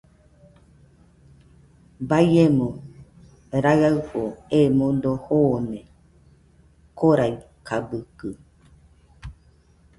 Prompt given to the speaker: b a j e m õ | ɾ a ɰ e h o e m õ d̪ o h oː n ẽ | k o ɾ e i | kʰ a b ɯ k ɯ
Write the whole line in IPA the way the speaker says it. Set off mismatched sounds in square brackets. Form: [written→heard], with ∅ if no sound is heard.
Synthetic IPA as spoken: b a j e m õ | ɾ a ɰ [e→a] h o e m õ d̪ o h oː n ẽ | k o ɾ [e→a] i | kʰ a b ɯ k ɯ